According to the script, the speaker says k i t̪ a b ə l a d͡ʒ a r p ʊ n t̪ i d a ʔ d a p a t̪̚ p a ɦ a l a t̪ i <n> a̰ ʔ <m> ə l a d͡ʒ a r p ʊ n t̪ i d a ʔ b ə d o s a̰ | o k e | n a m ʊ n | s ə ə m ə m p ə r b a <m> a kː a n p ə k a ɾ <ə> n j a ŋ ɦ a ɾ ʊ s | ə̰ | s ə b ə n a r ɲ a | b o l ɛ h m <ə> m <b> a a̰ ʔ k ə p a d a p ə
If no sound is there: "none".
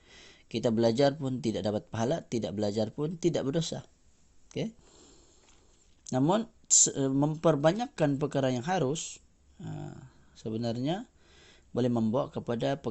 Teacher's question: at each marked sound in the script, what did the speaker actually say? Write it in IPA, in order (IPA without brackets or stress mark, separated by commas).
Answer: d, b, ɲ, a, ə, b